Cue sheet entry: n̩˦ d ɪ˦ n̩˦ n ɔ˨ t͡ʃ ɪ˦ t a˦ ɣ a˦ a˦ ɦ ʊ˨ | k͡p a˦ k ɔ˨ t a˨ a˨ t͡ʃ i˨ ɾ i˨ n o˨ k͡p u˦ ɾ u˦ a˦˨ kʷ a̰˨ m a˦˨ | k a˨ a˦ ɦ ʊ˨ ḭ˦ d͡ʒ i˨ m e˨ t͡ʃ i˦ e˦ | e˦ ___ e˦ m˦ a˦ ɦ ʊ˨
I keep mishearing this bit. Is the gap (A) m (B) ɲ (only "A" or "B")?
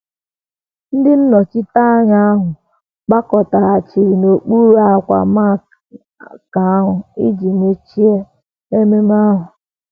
A